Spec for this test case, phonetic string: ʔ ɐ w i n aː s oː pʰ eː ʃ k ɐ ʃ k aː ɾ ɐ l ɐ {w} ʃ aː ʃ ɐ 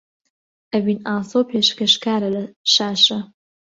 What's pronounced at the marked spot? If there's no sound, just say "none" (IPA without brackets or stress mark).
none